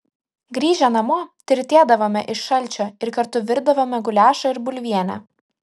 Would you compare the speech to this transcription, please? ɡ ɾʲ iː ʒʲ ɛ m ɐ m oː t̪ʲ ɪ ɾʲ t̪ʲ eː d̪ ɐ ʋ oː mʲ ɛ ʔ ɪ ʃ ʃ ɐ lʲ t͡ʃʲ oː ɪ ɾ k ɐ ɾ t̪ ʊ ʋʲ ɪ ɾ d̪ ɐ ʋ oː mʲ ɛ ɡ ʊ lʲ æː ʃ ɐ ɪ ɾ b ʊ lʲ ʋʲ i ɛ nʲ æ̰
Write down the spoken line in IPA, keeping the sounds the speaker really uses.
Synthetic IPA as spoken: ɡ ɾʲ iː ʒʲ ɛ n ɐ m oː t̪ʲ ɪ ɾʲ t̪ʲ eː d̪ ɐ ʋ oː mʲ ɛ ʔ ɪ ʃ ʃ ɐ lʲ t͡ʃʲ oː ɪ ɾ k ɐ ɾ t̪ ʊ ʋʲ ɪ ɾ d̪ ɐ ʋ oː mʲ ɛ ɡ ʊ lʲ æː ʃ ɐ ɪ ɾ b ʊ lʲ ʋʲ i ɛ nʲ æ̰